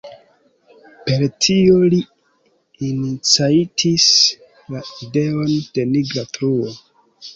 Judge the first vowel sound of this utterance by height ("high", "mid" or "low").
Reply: mid